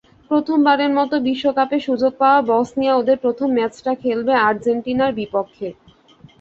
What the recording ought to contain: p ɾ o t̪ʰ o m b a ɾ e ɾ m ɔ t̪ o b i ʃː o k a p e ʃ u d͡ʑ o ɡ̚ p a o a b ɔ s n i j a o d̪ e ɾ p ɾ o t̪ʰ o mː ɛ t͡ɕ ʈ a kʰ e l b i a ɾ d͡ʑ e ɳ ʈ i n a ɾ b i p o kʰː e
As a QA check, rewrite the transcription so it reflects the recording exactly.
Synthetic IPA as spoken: p ɾ o t̪ʰ o m b a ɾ e ɾ m ɔ t̪ o b i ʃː o k a p e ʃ u d͡ʑ o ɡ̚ p a o a b ɔ s n i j a o d̪ e ɾ p ɾ o t̪ʰ o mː ɛ t͡ɕ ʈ a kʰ e l b e a ɾ d͡ʑ e ɳ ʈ i n a ɾ b i p o kʰː e